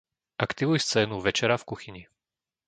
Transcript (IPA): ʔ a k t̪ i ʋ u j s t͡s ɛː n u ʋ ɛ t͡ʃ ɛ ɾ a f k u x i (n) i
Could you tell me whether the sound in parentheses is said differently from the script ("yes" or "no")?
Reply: yes